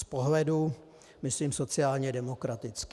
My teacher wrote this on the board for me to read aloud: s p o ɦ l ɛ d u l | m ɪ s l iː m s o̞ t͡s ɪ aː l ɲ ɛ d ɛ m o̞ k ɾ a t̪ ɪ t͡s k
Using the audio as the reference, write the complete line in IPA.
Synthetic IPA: s p o ɦ l ɛ d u | m ɪ s l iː m s o̞ t͡s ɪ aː l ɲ ɛ d ɛ m o̞ k ɾ a t̪ ɪ t͡s k